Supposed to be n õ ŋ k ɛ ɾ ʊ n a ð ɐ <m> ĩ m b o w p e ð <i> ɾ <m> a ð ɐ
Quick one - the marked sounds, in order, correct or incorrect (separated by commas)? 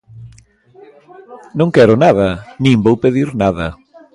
incorrect, correct, incorrect